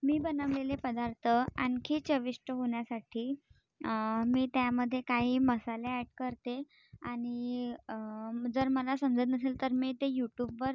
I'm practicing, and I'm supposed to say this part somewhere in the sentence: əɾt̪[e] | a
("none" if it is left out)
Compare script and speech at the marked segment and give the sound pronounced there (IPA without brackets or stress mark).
e